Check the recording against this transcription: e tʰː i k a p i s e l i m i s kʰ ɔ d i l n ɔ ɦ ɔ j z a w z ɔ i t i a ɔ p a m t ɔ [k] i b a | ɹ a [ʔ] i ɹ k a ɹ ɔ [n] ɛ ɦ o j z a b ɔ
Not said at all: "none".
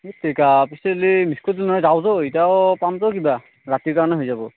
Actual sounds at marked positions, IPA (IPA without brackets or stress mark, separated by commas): k, t, n